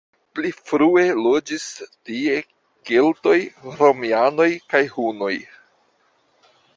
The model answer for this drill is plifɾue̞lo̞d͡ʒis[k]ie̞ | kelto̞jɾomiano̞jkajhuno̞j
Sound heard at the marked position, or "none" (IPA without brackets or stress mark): t